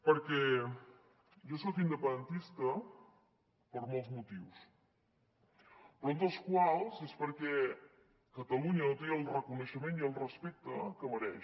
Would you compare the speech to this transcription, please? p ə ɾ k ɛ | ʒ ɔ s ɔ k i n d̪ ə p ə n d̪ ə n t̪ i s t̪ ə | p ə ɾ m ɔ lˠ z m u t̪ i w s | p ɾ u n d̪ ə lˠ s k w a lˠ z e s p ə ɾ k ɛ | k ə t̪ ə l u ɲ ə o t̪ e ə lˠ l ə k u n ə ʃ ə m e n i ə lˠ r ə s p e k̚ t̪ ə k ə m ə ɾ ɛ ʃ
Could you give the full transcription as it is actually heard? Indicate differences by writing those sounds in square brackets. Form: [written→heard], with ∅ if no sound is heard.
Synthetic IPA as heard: p ə ɾ k ɛ | ʒ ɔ s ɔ k i n d̪ ə p ə n d̪ ə n t̪ i s t̪ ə | p ə ɾ m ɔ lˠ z m u t̪ i w s | p ɾ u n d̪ ə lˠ s k w a lˠ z e s p ə ɾ k ɛ | k ə t̪ ə l u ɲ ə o t̪ e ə lˠ [l→r] ə k u n ə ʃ ə m e n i ə lˠ r ə s p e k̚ t̪ ə k ə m ə ɾ ɛ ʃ